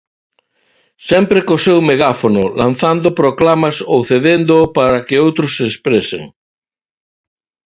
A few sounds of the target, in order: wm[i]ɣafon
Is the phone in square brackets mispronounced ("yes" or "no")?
yes